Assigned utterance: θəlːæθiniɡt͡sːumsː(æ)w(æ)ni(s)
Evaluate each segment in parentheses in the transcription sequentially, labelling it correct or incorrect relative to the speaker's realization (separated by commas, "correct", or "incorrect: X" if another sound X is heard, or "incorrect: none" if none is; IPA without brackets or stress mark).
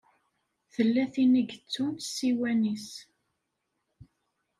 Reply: incorrect: i, correct, correct